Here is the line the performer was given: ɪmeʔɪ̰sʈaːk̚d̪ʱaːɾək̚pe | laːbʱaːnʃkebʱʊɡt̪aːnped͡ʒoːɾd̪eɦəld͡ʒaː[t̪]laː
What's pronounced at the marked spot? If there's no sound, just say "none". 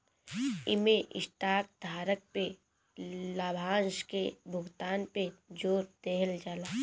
none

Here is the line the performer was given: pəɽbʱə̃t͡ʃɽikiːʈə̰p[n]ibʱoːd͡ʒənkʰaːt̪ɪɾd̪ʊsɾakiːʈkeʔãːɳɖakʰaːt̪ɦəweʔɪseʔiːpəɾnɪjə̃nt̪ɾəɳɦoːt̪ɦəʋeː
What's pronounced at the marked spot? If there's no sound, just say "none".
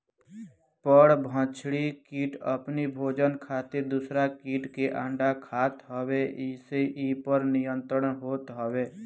n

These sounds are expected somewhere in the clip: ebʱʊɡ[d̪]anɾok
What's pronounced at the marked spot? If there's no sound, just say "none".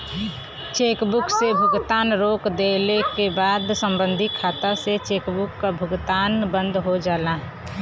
t̪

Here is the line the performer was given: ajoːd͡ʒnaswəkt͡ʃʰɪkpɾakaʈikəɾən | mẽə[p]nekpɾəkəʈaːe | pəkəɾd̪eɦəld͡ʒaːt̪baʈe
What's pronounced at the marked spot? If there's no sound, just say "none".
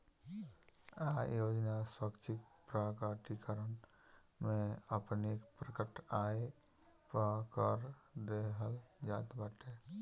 p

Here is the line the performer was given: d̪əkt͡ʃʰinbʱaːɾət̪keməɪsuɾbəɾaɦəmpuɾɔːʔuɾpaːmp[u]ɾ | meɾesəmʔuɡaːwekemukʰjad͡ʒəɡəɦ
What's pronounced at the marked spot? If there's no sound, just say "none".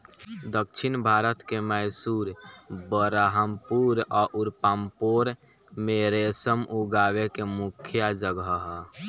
o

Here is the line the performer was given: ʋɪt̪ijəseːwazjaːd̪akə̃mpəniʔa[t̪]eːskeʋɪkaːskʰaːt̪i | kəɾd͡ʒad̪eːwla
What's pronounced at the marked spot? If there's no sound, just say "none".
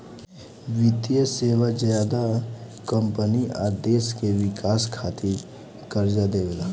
d̪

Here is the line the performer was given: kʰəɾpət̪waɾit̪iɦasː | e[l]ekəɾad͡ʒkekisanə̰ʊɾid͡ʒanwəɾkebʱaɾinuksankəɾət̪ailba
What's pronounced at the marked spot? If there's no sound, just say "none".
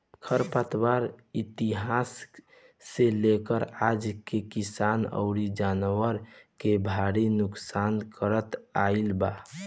l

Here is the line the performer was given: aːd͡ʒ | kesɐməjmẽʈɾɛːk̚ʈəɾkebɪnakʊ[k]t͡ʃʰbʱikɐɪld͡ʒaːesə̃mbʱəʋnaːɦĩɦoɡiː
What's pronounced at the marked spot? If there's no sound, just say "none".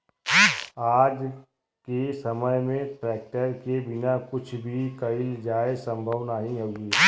none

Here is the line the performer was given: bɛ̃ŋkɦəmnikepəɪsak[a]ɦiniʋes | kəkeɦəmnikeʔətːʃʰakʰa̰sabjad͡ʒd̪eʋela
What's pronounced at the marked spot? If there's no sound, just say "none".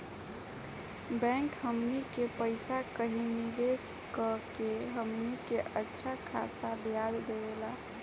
ə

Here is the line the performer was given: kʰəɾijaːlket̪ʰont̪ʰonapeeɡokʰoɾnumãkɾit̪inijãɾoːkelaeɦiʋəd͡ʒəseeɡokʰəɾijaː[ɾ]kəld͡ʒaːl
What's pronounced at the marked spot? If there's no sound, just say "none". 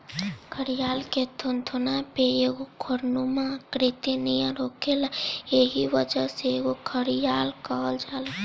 l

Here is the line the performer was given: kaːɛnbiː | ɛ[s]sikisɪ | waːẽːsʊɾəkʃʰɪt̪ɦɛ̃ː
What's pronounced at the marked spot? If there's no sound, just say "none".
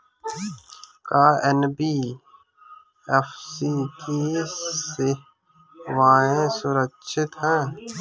f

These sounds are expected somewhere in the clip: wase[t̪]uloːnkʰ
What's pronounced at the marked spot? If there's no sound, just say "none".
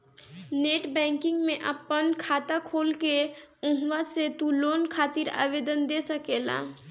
t̪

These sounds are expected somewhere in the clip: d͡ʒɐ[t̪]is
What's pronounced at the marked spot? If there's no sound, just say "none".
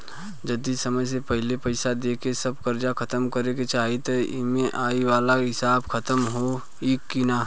d̪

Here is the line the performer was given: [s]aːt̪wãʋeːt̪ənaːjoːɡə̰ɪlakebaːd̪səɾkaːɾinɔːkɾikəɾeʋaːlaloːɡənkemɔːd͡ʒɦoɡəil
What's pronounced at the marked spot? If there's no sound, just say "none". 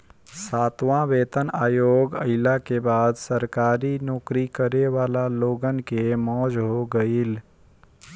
s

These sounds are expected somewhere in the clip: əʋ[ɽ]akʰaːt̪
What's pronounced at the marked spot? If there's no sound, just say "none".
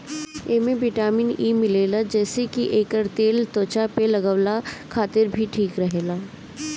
l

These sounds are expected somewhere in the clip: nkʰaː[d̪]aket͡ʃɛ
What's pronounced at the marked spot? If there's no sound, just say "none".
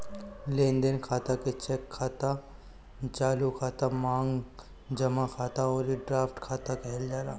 t̪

